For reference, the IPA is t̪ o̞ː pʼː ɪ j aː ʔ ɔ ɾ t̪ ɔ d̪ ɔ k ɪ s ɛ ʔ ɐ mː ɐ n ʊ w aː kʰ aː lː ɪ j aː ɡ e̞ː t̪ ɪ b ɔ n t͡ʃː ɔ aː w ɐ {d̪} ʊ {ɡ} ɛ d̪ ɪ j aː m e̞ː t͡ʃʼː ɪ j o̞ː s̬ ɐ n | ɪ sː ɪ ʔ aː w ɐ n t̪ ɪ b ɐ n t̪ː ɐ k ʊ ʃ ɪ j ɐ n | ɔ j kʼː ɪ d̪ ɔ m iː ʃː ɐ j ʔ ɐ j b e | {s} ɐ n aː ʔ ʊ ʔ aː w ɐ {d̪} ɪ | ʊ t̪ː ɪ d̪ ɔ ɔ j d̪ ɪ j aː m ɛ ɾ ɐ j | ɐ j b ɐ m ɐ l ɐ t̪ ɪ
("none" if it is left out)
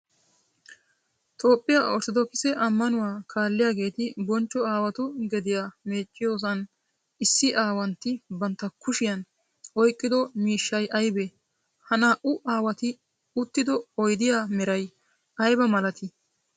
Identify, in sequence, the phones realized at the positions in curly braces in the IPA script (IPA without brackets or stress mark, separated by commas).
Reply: t̪, ɡ, h, t̪